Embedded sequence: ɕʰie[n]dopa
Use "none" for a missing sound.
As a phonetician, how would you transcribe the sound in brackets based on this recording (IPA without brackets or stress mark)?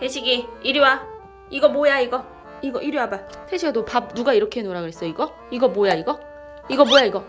none